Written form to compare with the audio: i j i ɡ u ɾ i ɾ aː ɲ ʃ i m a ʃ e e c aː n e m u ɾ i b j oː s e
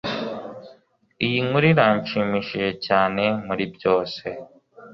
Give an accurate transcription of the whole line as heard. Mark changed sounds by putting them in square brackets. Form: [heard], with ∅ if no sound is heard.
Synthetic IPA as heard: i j i [ŋ] u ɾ i ɾ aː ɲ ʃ i m [i] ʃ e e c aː n e m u ɾ i b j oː s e